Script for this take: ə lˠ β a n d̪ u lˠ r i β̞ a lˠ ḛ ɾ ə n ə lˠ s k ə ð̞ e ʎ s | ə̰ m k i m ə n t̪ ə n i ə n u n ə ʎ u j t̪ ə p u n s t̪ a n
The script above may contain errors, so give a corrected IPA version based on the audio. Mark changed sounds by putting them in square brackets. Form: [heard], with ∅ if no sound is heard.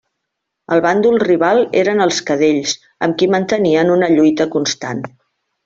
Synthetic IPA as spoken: ə lˠ β a n d̪ u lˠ r i β̞ a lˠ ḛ ɾ ə n ə lˠ s k ə ð̞ e ʎ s | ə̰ m k i m ə n t̪ ə n i ə n u n ə ʎ u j t̪ ə [k] u n s t̪ a n